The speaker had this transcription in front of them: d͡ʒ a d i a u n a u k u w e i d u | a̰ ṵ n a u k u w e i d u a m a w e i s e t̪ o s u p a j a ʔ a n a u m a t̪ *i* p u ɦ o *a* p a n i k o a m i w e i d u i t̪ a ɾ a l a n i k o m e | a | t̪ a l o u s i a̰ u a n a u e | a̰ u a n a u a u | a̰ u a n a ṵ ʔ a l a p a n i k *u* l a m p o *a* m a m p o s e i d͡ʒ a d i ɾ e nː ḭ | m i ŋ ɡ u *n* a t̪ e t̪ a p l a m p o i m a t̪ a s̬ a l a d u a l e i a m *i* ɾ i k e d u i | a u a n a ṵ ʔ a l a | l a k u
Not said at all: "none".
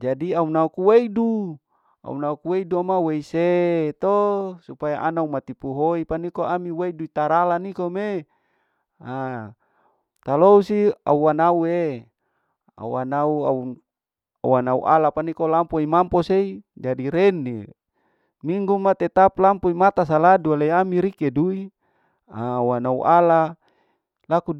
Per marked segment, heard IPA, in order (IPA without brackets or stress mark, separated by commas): i, i, o, i, m, i